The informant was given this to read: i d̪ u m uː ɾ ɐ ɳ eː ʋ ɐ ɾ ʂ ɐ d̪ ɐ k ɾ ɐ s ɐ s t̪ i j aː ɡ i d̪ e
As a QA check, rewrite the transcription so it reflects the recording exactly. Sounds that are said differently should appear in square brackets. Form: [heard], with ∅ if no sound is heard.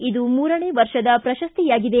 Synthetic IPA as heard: i d̪ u m uː ɾ ɐ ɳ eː ʋ ɐ ɾ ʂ ɐ d̪ ɐ [p] ɾ ɐ [ʃ] ɐ s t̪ i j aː ɡ i d̪ e

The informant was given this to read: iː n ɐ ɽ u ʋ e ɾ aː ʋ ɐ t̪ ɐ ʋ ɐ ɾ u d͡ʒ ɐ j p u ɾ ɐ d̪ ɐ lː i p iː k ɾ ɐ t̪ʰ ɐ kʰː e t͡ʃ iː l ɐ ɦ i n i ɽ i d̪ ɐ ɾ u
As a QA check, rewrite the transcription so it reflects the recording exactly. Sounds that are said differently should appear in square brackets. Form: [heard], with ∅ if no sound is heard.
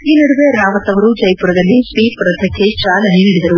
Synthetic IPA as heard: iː n ɐ ɽ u ʋ e ɾ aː ʋ ɐ t̪ ɐ ʋ ɐ ɾ u d͡ʒ ɐ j p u ɾ ɐ d̪ ɐ lː i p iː [p] ɾ ɐ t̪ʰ ɐ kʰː e t͡ʃ [aː] l ɐ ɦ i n i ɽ i d̪ ɐ ɾ u

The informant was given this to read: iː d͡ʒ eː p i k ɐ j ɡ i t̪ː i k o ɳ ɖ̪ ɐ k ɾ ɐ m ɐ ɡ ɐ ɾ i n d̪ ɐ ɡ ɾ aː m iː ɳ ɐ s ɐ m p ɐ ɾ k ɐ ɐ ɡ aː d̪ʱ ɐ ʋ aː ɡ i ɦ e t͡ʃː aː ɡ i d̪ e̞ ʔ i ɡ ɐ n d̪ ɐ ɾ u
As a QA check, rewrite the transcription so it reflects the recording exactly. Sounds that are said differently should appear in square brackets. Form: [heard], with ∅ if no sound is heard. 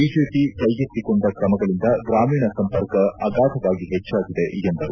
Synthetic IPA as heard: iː d͡ʒ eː p i k ɐ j ɡ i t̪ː i k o ɳ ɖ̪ ɐ k ɾ ɐ m ɐ ɡ ɐ [ɭ] i n d̪ ɐ ɡ ɾ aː m iː ɳ ɐ s ɐ m p ɐ ɾ k ɐ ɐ ɡ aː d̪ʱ ɐ ʋ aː ɡ i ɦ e t͡ʃː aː ɡ i d̪ e̞ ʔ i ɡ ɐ n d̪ ɐ ɾ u

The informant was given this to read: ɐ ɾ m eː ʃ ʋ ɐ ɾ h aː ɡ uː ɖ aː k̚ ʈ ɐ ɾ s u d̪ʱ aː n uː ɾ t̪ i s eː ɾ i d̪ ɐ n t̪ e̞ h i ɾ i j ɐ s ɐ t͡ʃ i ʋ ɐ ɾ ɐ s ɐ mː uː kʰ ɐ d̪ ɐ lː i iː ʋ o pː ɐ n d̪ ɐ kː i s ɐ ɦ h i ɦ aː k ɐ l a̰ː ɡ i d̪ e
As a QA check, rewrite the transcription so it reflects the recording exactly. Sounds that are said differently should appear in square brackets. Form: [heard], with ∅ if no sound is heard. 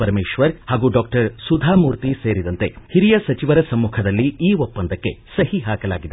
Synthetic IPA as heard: ɐ ɾ m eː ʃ ʋ ɐ ɾ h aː ɡ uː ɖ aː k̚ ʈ ɐ ɾ s u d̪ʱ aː [m] uː ɾ t̪ i s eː ɾ i d̪ ɐ n t̪ e̞ h i ɾ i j ɐ s ɐ t͡ʃ i ʋ ɐ ɾ ɐ s ɐ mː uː kʰ ɐ d̪ ɐ lː i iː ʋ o pː ɐ n d̪ ɐ kː [e] s ɐ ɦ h i ɦ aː k ɐ l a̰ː ɡ i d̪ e

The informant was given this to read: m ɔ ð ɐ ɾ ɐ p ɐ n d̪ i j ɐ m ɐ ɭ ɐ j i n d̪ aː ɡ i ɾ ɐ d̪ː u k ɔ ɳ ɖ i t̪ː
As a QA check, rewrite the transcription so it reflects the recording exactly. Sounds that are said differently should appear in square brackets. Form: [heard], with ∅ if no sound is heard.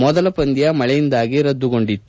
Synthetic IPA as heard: m ɔ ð ɐ [l] ɐ p ɐ n d̪ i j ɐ m ɐ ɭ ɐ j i n d̪ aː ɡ i ɾ ɐ d̪ː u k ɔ ɳ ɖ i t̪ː

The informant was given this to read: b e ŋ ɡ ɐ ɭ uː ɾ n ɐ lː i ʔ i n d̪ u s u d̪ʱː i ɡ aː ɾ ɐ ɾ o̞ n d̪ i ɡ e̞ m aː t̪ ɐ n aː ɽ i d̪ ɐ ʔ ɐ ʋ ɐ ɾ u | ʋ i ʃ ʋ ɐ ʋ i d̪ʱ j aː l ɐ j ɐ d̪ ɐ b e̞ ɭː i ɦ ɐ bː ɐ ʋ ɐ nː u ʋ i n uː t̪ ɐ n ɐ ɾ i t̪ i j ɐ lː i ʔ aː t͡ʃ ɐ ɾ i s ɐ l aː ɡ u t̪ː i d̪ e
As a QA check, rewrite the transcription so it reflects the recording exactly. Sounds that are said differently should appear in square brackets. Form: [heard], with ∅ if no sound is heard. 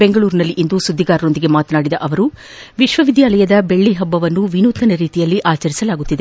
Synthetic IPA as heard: b e ŋ ɡ ɐ ɭ uː ɾ n ɐ lː i ʔ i n d̪ u s u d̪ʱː i ɡ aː ɾ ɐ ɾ o̞ n d̪ i ɡ e̞ m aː t̪ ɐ n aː ɽ i d̪ ɐ ʔ ɐ ʋ ɐ ɾ u | ʋ i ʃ ʋ ɐ ʋ i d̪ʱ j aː l ɐ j ɐ d̪ ɐ b e̞ ɭː i ɦ ɐ bː ɐ ʋ ɐ nː u ʋ i n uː t̪ ɐ n ɐ ɾ [iː] t̪ i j ɐ lː i ʔ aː t͡ʃ ɐ ɾ i s ɐ l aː ɡ u t̪ː i d̪ e

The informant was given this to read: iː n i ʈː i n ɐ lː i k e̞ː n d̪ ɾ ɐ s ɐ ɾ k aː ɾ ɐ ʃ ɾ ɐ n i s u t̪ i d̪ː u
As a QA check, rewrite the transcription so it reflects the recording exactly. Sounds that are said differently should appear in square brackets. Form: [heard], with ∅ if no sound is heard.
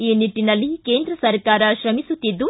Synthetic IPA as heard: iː n i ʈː i n ɐ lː i k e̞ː n d̪ ɾ ɐ s ɐ ɾ k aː ɾ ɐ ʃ ɾ ɐ [m] i s u t̪ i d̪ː u

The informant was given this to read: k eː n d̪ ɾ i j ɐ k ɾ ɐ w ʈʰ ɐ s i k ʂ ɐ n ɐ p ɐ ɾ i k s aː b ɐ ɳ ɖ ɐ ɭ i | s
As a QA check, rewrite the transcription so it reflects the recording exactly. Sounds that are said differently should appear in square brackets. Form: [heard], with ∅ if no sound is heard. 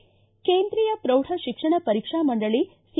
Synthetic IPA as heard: k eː n d̪ ɾ i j ɐ [p] ɾ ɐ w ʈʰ ɐ [ʃ] i k ʂ ɐ [ɳ] ɐ p ɐ ɾ i k [ʂ] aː [m] ɐ ɳ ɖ ɐ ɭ i | s

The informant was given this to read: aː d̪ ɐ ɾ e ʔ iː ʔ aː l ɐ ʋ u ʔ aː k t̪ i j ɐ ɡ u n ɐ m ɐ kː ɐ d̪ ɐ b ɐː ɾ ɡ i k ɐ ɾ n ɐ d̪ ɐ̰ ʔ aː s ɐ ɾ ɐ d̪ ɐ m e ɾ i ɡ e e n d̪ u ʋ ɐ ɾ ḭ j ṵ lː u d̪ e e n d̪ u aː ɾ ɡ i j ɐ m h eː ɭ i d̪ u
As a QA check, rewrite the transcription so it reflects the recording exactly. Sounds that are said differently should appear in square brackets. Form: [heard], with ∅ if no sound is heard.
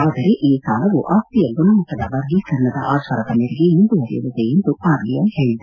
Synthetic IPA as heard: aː d̪ ɐ ɾ e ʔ iː [k] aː l ɐ ʋ u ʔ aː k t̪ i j ɐ ɡ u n ɐ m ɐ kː ɐ d̪ ɐ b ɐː ɾ ɡ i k ɐ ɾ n ɐ d̪ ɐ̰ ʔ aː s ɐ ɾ ɐ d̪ ɐ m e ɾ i ɡ e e n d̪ u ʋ ɐ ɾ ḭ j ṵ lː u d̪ e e n d̪ u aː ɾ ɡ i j ɐ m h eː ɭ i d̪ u

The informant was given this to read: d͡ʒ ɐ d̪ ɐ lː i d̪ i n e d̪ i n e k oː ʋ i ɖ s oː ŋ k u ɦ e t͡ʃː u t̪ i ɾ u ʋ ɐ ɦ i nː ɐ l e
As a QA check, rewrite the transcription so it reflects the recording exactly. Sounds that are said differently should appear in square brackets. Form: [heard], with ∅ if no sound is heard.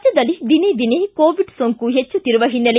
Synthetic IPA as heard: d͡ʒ ɐ d̪ ɐ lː i d̪ i n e d̪ i n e k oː ʋ i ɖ s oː ŋ k u ɦ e t͡ʃː u t̪ i ɾ u ʋ ɐ ɦ i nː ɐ l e

